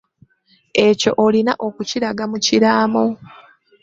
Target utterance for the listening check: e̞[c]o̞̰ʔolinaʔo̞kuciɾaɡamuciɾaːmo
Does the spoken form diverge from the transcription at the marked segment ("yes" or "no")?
no